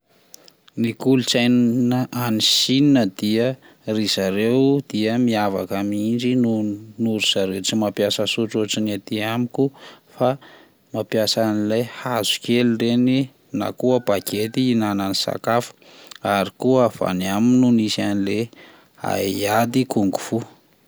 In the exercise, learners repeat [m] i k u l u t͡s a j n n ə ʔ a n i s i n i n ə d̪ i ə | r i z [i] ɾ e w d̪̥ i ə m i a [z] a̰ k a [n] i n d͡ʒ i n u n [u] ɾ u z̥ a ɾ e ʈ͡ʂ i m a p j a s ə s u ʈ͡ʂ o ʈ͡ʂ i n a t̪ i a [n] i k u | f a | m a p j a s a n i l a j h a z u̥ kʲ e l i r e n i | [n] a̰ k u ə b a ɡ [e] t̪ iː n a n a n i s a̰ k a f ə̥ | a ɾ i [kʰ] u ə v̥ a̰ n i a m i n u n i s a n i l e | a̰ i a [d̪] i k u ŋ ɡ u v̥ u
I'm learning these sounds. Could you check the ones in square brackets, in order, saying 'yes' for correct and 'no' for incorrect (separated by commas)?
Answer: no, no, no, no, yes, no, yes, yes, no, yes